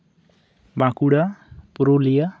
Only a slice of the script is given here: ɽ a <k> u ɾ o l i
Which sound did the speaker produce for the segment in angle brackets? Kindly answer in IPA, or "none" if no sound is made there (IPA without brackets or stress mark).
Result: p